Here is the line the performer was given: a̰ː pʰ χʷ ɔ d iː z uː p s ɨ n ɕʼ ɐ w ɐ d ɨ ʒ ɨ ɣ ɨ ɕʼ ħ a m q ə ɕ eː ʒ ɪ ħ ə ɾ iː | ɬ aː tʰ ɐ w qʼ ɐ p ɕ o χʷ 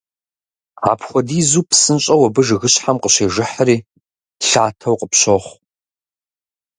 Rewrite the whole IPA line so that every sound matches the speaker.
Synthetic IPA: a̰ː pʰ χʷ ɔ d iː z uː p s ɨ n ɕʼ ɐ w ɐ b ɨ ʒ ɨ ɣ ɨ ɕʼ ħ a m q ə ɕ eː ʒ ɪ ħ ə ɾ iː | ɬ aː tʰ ɐ w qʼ ə p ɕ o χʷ